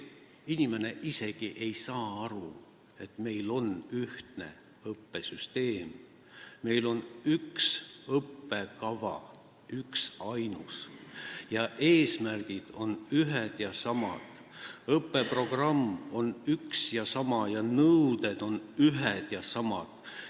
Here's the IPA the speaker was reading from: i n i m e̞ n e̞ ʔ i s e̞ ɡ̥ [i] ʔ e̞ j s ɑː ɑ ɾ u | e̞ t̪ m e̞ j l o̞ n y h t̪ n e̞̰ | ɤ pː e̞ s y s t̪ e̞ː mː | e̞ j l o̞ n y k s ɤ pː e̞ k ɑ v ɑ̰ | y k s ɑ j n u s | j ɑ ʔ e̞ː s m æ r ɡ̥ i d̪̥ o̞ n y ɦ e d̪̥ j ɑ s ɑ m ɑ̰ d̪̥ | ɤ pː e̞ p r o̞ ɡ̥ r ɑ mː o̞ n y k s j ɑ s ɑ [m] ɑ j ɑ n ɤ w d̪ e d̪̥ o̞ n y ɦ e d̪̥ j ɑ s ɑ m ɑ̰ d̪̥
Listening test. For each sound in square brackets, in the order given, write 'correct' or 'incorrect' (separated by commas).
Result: correct, correct